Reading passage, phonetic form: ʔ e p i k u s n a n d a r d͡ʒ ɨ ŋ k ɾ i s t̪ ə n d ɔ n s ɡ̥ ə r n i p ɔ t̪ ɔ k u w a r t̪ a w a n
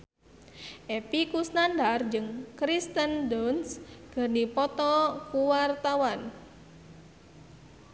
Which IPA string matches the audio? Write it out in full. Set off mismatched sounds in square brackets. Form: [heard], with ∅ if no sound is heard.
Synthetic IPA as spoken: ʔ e p i k u s n a n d a r d͡ʒ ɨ ŋ k ɾ i s t̪ ə n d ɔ n s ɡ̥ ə r n i p ɔ t̪ ɔ k u w a r t̪ a w a n